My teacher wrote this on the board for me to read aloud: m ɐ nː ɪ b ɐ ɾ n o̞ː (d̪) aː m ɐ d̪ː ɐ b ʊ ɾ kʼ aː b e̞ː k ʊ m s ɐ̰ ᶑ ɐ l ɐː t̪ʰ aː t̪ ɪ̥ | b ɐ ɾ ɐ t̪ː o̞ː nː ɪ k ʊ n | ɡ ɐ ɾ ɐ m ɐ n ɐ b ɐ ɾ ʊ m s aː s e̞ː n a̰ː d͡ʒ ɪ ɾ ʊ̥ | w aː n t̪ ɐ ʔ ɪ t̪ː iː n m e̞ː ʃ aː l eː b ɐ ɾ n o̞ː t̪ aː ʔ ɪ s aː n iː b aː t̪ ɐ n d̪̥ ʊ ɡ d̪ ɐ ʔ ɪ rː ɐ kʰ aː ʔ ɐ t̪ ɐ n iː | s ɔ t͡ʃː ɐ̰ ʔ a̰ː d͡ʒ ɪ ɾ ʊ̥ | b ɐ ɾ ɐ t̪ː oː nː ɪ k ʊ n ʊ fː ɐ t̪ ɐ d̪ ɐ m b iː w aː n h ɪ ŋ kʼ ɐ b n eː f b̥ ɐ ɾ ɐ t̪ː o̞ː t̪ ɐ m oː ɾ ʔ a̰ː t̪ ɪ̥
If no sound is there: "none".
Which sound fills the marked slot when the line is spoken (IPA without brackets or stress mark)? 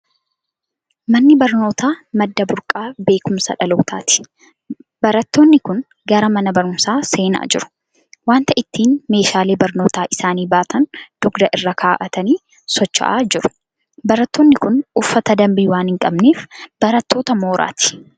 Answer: t̪